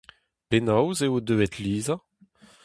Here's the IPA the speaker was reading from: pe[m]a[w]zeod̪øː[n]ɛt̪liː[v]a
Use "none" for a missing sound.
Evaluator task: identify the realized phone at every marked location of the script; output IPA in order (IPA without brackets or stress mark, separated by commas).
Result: n, w, none, z